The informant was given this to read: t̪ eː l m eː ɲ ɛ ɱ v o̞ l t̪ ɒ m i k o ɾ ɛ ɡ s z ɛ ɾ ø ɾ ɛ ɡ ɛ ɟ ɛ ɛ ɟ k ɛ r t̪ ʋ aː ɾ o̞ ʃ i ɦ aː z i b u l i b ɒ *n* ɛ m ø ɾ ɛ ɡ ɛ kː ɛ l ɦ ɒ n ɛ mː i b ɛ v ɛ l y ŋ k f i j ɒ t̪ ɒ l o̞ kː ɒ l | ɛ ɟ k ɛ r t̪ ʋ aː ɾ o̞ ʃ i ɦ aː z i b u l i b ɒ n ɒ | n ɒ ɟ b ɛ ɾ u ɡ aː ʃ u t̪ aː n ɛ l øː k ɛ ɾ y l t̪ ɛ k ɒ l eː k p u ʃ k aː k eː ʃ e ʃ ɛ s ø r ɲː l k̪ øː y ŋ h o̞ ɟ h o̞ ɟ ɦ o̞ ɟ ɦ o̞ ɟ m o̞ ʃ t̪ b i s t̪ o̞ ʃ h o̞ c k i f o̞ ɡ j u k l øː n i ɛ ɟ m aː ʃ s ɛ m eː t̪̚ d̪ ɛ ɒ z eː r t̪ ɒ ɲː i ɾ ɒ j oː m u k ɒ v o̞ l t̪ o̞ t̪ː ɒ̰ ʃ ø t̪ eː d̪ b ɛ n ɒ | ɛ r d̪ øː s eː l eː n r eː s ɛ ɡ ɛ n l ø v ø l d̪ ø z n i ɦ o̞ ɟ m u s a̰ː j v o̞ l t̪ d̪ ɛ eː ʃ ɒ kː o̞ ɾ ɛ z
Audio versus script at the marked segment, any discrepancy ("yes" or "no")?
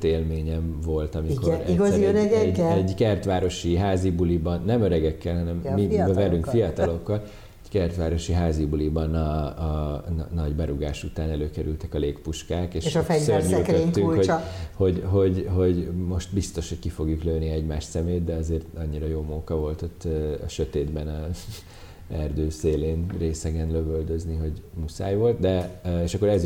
yes